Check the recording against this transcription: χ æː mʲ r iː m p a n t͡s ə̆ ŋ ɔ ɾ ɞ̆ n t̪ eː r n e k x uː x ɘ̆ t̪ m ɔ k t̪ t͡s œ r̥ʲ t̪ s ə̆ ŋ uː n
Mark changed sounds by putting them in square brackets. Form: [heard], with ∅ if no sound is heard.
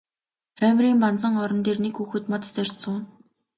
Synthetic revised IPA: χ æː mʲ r iː m p a n t͡s ə̆ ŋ ɔ ɾ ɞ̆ n t̪ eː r n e k x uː x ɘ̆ t̪ m ɔ [∅] t̪ t͡s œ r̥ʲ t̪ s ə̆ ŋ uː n